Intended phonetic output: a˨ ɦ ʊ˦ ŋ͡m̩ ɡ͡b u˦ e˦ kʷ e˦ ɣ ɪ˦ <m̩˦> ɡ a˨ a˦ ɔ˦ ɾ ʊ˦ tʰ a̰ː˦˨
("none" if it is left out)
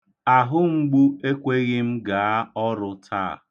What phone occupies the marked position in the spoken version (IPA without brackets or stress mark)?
m̩˦